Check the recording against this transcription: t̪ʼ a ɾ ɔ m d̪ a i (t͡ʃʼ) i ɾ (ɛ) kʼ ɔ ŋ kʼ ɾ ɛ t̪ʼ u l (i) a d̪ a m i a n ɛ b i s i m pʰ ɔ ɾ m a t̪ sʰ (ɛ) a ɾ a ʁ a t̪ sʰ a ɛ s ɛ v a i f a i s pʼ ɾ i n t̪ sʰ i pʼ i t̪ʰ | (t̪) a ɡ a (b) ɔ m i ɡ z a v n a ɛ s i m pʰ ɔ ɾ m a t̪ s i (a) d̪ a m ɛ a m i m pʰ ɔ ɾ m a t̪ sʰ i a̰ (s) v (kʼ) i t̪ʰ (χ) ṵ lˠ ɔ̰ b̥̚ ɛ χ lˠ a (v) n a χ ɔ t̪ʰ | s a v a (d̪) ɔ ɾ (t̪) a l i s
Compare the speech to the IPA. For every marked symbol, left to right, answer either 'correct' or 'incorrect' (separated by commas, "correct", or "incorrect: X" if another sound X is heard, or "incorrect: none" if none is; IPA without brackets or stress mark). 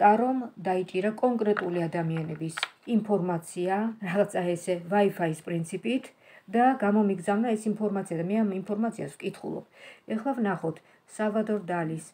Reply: correct, incorrect: a, correct, incorrect: i, incorrect: d̪, incorrect: m, correct, correct, correct, correct, correct, correct, incorrect: d̪